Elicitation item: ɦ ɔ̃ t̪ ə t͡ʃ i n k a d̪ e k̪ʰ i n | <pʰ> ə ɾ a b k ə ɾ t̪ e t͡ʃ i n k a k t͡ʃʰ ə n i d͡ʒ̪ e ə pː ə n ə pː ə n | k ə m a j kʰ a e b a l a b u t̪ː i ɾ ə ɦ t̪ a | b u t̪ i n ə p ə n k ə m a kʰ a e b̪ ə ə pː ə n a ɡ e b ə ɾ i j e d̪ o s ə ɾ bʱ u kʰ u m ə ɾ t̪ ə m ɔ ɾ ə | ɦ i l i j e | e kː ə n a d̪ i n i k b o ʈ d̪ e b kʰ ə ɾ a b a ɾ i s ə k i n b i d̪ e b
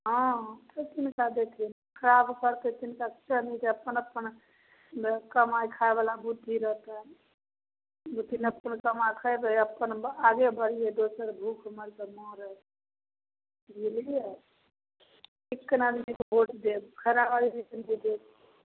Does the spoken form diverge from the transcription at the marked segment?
yes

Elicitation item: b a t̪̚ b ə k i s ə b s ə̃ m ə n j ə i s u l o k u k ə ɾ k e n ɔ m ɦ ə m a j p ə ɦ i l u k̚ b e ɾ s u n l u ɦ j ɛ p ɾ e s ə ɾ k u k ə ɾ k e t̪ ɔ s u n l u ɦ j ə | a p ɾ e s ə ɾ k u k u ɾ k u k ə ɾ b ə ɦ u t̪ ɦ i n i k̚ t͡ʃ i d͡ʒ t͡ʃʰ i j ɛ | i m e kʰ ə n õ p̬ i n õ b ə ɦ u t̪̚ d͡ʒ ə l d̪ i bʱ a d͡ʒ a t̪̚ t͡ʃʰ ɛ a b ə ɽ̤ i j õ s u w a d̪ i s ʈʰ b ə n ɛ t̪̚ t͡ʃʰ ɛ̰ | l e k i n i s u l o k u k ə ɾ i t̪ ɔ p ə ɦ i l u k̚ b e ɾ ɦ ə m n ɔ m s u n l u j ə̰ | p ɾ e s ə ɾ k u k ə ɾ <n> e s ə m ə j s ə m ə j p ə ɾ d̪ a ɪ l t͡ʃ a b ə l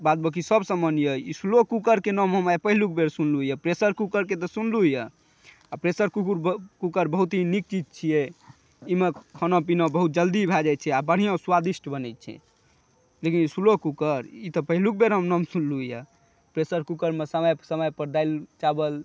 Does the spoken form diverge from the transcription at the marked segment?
yes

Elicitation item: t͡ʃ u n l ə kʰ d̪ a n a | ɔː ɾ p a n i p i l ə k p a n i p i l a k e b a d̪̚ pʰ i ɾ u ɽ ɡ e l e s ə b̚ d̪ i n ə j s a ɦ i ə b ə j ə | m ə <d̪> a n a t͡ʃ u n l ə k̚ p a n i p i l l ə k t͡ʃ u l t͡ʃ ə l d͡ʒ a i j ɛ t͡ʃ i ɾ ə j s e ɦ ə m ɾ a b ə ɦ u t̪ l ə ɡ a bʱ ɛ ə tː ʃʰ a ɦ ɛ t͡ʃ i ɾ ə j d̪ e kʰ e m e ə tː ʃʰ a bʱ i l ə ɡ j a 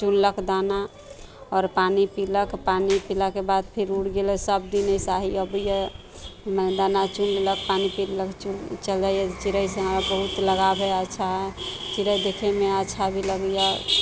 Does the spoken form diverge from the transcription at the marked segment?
no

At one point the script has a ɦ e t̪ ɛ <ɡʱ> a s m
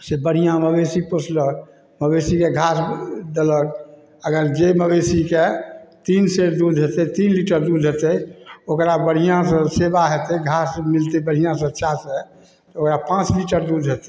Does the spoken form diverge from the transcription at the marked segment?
no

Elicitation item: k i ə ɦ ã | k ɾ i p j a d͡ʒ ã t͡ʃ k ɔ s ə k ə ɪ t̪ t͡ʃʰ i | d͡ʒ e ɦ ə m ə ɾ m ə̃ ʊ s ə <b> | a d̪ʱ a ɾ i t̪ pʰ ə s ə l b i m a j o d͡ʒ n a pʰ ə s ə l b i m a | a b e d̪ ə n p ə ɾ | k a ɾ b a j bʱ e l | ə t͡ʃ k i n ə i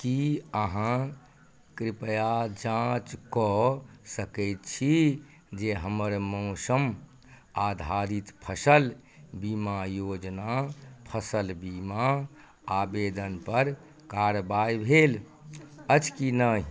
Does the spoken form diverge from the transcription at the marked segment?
yes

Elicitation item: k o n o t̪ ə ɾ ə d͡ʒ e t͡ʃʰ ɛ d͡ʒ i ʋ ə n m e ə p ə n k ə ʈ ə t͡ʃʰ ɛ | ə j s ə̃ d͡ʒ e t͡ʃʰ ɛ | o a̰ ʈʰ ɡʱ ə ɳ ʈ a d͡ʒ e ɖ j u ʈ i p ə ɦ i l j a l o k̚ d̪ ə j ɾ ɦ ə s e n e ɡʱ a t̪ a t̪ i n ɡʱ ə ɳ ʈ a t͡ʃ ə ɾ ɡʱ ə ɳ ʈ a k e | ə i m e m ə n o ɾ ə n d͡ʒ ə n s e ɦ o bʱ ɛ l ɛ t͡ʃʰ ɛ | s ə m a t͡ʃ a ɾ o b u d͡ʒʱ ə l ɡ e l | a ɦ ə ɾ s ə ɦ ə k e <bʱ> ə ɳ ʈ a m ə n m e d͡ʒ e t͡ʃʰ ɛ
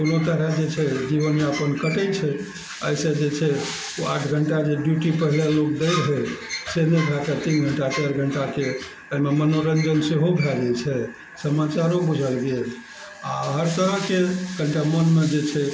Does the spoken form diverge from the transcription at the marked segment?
yes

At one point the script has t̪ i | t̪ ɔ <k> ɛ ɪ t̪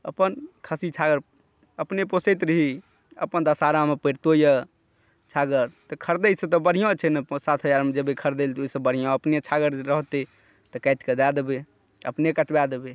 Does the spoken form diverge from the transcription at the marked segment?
no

